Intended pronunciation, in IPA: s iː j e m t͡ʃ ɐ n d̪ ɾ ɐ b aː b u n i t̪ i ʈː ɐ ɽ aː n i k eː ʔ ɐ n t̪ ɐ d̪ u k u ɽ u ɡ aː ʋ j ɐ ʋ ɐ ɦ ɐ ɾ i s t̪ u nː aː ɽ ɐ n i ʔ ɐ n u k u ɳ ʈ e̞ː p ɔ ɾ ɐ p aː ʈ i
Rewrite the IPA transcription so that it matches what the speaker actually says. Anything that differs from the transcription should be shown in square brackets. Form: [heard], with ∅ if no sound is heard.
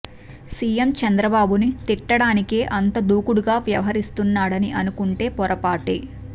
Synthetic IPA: s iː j e m t͡ʃ ɐ n d̪ ɾ ɐ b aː b u n i t̪ i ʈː ɐ ɽ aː n i k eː ʔ ɐ n t̪ ɐ d̪ [uː] k u ɽ u ɡ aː ʋ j ɐ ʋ ɐ ɦ ɐ ɾ i s t̪ u nː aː ɽ ɐ n i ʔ ɐ n u k u ɳ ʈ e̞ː p ɔ ɾ ɐ p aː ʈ i